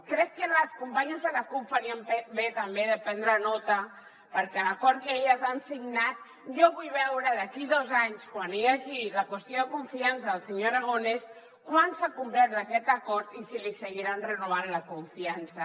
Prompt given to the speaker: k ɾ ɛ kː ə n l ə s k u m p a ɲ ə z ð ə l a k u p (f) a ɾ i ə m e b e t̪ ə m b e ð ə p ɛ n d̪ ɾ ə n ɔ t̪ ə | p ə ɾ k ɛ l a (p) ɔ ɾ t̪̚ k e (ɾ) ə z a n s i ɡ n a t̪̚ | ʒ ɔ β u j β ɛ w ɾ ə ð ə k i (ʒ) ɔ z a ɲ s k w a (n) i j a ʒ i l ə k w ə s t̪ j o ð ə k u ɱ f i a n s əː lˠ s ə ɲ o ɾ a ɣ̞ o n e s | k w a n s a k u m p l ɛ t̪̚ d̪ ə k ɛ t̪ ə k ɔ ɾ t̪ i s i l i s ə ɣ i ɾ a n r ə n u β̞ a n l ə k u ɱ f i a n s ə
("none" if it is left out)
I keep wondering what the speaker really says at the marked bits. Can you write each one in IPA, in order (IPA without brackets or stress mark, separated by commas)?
f, k, ʎ, ð, n